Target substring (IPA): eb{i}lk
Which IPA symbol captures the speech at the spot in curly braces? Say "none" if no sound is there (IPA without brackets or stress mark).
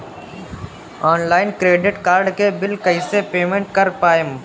ɪ